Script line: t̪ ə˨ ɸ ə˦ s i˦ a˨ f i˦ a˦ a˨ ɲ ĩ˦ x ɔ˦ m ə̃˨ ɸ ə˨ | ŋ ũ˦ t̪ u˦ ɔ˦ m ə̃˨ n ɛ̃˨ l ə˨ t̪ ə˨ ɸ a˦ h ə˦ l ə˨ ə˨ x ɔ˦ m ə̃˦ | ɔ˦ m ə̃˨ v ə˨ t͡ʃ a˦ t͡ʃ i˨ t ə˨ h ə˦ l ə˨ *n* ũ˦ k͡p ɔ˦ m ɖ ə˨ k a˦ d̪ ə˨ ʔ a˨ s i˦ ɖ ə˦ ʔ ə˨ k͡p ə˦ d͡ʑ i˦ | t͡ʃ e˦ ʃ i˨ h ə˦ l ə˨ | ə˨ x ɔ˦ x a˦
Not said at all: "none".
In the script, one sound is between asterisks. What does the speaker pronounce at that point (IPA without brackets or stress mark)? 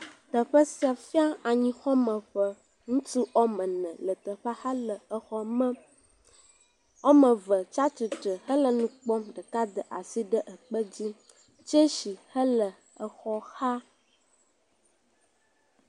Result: n